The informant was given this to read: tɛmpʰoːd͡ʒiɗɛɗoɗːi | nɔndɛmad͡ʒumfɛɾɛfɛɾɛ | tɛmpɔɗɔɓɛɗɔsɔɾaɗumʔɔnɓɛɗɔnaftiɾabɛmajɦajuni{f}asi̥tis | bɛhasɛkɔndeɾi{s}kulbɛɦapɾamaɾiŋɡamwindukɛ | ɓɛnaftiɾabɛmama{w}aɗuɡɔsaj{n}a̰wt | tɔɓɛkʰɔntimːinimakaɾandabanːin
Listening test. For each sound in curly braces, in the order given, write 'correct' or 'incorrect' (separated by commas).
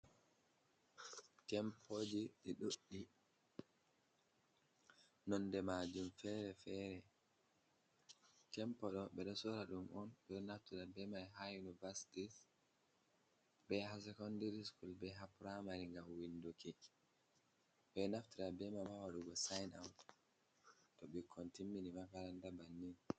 incorrect, correct, correct, correct